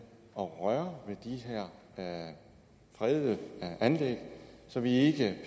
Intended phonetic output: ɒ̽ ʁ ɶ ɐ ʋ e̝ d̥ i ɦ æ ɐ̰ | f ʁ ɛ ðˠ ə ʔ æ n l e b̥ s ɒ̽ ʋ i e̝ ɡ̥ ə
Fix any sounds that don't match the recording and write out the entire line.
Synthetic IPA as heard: ɒ̽ ʁ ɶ ɐ ʋ e̝ d̥ i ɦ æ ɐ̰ | f ʁ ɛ ðˠ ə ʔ æ n l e ɡ̥ s ɒ̽ ʋ i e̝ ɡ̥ ə